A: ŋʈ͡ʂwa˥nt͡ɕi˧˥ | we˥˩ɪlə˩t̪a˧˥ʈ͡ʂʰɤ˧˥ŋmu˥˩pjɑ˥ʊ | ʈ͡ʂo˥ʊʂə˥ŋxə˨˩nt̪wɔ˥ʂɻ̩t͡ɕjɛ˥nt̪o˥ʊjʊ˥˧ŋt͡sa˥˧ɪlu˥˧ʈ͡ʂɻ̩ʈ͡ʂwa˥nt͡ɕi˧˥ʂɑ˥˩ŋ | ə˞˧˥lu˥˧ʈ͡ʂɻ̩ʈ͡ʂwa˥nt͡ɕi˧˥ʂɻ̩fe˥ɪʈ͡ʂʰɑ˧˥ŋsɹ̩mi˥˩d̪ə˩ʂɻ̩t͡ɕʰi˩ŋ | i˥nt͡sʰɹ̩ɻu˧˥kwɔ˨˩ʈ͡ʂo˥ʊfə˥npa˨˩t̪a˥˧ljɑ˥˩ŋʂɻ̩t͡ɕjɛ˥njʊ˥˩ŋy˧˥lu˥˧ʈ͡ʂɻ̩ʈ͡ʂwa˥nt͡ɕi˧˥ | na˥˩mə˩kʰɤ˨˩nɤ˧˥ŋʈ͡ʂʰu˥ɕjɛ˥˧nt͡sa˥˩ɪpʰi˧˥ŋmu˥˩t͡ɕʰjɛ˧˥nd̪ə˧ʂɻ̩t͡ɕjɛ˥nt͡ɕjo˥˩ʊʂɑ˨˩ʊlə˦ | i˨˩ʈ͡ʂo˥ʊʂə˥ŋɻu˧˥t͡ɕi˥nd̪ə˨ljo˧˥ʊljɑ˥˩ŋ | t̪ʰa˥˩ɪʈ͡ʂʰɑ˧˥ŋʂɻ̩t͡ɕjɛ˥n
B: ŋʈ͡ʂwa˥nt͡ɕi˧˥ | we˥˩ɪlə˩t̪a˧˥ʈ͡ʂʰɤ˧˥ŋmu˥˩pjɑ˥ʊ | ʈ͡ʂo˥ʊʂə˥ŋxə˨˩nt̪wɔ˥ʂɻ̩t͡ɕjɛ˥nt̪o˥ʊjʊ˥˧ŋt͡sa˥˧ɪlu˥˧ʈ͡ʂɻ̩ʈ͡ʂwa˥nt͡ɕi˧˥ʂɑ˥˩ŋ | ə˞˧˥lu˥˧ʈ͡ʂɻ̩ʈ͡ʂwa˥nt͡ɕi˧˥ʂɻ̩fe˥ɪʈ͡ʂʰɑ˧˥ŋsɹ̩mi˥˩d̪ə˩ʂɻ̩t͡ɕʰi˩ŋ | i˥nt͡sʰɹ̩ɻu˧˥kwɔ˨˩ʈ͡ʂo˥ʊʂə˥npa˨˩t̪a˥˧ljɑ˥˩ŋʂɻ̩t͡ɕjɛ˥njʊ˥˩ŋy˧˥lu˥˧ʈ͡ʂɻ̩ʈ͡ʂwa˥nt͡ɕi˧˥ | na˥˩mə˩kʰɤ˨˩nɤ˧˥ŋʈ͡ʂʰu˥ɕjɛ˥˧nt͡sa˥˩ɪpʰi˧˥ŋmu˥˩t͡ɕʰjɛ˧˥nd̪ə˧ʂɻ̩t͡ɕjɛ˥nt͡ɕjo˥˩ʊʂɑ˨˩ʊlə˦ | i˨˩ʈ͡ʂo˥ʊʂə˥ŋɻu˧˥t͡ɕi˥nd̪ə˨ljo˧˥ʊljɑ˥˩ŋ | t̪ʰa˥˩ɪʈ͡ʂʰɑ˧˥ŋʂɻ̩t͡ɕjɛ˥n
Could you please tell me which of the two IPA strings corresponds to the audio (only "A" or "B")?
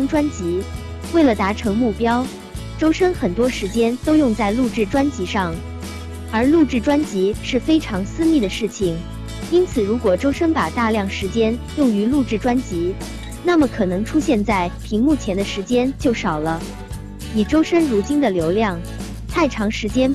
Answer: B